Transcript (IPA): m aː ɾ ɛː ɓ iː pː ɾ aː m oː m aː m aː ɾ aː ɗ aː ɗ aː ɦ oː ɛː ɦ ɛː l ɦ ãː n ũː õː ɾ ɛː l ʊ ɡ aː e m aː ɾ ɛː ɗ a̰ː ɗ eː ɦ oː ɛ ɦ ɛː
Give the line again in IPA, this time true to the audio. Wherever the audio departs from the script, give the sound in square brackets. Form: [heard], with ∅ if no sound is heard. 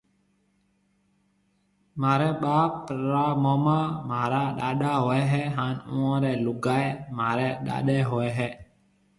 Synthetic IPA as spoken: m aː ɾ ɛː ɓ [aː] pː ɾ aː m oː m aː m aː ɾ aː ɗ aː ɗ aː ɦ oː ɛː ɦ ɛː [∅] ɦ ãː n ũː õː ɾ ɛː l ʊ ɡ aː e m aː ɾ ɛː ɗ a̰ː ɗ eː ɦ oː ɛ ɦ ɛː